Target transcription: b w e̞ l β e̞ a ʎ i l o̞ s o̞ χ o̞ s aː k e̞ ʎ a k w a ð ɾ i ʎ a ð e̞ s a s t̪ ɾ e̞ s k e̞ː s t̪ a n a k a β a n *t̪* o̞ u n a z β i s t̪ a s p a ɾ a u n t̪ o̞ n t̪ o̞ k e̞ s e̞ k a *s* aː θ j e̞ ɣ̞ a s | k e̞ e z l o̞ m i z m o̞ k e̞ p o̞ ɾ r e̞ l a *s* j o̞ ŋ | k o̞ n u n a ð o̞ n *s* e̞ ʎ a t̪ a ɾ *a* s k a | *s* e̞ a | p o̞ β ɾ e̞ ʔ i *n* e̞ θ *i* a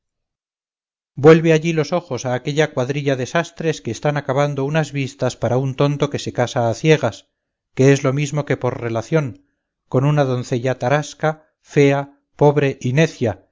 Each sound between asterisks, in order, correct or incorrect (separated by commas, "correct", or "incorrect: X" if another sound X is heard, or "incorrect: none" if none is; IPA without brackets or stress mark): incorrect: d̪, correct, incorrect: θ, incorrect: θ, correct, incorrect: f, correct, incorrect: j